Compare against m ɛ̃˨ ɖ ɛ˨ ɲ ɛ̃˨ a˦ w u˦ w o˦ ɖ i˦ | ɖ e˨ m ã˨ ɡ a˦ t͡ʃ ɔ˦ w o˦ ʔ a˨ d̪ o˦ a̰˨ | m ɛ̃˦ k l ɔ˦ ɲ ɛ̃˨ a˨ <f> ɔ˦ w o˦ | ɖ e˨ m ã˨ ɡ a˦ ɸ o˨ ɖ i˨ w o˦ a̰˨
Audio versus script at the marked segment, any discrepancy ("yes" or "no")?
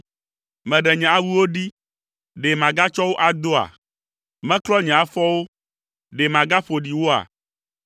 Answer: no